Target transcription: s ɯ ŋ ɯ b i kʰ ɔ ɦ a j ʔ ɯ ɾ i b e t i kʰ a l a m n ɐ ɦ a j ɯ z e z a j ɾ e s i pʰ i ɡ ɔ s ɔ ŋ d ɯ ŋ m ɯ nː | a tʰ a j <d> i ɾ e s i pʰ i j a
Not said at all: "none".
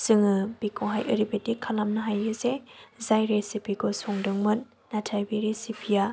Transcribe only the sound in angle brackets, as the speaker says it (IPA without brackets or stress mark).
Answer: b